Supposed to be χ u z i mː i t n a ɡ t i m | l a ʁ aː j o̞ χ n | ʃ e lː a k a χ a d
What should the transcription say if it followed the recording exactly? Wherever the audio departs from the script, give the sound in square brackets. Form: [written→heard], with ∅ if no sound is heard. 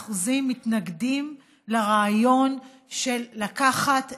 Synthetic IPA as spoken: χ u z i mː i t n a ɡ [t→d] i m | l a ʁ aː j o̞ [χ→∅] n | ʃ e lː a k a χ a [d→t]